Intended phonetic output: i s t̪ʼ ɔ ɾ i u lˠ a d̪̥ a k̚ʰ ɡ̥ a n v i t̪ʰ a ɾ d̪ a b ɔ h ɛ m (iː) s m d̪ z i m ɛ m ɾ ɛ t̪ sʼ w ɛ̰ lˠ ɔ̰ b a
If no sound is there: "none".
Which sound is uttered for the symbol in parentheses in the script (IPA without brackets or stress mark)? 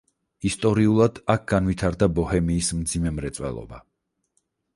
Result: iː